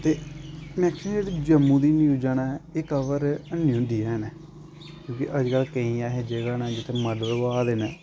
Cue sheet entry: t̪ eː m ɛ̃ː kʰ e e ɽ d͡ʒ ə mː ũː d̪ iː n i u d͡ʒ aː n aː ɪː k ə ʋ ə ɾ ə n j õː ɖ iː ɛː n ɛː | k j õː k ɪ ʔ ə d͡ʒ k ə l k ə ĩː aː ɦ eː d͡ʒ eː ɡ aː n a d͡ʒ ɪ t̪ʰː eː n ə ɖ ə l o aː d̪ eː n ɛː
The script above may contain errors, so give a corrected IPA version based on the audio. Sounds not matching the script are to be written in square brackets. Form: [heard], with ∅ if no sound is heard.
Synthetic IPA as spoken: t̪ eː m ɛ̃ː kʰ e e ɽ d͡ʒ ə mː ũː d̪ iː n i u d͡ʒ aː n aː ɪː k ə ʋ ə ɾ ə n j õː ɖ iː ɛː n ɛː | k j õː k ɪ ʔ ə d͡ʒ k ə l k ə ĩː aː ɦ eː d͡ʒ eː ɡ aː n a d͡ʒ ɪ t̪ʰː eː [m] ə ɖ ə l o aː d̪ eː n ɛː